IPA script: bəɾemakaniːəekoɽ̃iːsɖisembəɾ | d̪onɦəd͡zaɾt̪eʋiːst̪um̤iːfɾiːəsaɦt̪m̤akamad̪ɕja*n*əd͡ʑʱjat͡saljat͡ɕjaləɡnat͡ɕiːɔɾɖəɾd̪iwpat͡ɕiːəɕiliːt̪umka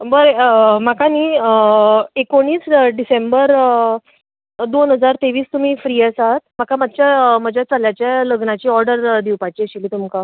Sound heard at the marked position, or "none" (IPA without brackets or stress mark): m